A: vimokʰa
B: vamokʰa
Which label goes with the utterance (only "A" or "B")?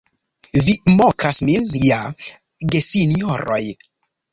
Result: A